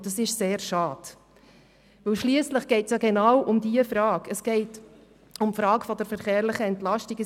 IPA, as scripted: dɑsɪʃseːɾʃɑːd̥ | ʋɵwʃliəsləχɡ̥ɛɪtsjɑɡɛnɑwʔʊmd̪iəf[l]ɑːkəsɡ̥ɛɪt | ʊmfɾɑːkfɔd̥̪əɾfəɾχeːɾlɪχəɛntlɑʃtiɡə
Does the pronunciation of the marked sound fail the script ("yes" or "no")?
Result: yes